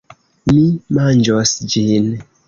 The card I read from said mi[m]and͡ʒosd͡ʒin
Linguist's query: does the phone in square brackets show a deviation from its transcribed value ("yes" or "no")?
no